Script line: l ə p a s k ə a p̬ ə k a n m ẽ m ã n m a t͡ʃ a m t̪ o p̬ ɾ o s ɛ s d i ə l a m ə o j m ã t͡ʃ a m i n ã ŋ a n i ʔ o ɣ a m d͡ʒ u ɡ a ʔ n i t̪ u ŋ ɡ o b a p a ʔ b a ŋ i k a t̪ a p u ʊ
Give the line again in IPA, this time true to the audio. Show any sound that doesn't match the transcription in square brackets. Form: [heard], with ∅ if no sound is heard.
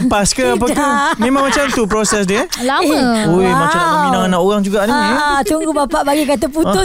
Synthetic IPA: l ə p a s k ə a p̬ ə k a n m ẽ m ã [ŋ] m a t͡ʃ a m t̪ [u] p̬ ɾ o s ɛ s d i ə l a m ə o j m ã t͡ʃ a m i n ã ŋ a n [a] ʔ o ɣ a [ŋ] d͡ʒ u ɡ a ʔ n i t̪ u ŋ ɡ [u] b a p a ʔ b a [ɡ] i k a t̪ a p u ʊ